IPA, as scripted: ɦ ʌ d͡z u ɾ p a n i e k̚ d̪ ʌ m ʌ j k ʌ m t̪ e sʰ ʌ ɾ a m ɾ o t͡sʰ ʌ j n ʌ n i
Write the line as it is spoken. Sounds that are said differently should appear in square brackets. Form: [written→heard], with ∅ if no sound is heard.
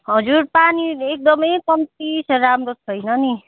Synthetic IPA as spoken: ɦ ʌ d͡z u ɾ p a n i e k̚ d̪ ʌ m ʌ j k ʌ m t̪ [e→i] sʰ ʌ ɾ a m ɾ o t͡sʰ ʌ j n ʌ n i